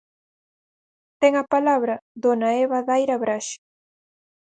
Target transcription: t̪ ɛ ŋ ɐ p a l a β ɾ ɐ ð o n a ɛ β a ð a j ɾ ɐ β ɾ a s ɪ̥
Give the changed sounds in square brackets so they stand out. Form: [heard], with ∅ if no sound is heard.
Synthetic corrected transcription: t̪ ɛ ŋ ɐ p a l a β ɾ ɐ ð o n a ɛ β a ð a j ɾ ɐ β ɾ a [ʃ] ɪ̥